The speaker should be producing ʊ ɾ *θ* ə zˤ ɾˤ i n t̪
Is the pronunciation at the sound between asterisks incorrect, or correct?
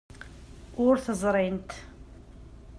correct